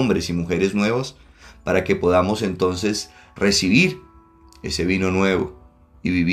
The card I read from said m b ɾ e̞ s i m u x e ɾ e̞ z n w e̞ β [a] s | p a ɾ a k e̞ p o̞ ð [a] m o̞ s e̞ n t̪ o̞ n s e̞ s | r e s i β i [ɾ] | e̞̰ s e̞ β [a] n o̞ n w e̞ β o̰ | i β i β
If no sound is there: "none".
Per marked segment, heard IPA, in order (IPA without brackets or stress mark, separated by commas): a, a, ɾ, i